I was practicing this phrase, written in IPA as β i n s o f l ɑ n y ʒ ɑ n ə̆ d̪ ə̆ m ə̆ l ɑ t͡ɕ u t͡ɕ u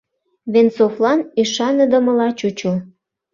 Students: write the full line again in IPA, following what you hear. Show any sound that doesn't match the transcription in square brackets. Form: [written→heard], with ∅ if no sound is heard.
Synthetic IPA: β [i→e] n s o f l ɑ n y [ʒ→ʃ] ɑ n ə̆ d̪ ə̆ m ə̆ l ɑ t͡ɕ u t͡ɕ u